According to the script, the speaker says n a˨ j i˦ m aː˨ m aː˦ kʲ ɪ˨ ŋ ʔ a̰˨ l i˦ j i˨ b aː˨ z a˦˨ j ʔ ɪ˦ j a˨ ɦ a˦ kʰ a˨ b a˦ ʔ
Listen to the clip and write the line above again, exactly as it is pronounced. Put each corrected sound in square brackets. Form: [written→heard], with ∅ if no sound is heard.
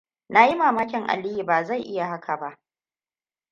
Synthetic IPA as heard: n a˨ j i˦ m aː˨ m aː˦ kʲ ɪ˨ ŋ ʔ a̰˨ l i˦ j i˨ b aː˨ z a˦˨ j ʔ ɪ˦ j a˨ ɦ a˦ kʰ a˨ b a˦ ʔ